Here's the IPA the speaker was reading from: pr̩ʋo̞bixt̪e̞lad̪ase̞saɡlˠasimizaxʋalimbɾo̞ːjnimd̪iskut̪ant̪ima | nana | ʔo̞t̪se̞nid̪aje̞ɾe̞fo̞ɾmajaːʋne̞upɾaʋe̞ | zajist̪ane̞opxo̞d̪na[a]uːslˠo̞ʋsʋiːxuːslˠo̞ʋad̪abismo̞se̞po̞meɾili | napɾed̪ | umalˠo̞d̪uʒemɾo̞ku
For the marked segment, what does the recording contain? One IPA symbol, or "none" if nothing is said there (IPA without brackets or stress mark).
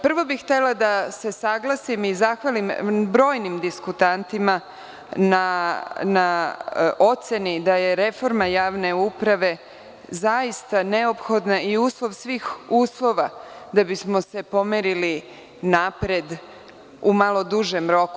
i